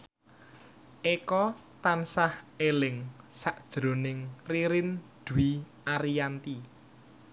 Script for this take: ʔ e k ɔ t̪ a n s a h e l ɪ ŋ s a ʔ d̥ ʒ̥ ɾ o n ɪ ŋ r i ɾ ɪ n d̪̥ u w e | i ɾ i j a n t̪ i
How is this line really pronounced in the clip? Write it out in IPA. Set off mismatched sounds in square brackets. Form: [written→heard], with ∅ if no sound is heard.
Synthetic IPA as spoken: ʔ e k ɔ t̪ a n s a h e l ɪ ŋ s a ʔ d̥ ʒ̥ ɾ o n ɪ ŋ r i ɾ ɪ n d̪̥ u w [e→i] | [i→a] ɾ i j a n t̪ i